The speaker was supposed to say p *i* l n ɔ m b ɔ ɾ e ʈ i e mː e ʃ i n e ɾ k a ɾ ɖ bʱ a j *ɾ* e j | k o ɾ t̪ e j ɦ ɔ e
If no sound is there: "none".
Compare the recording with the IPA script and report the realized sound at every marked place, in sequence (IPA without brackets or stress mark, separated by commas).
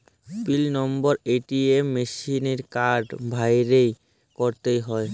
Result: i, ɾ